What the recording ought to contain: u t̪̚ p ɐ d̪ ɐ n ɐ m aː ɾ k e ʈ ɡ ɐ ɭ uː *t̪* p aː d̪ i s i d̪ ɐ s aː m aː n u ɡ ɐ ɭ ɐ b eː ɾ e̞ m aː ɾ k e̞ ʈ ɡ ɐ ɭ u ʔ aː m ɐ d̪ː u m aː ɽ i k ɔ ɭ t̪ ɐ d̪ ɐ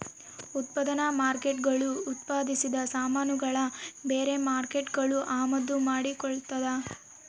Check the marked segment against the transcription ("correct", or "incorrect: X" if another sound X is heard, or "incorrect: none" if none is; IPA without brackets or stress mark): correct